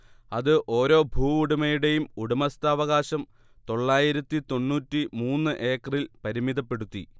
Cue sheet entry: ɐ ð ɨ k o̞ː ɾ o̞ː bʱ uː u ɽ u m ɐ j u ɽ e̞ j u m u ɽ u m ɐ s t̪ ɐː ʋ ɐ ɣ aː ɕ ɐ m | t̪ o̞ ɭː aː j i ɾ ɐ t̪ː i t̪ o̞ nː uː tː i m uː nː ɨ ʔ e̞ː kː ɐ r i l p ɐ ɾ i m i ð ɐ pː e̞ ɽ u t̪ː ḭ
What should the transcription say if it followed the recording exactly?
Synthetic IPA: ɐ ð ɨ ʔ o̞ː ɾ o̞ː bʱ uː u ɽ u m ɐ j u ɽ e̞ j u m u ɽ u m ɐ s t̪ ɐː ʋ ɐ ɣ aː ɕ ɐ m | t̪ o̞ ɭː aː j i ɾ ɐ t̪ː i t̪ o̞ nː uː tː i m uː nː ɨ ʔ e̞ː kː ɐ r i l p ɐ ɾ i m i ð ɐ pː e̞ ɽ u t̪ː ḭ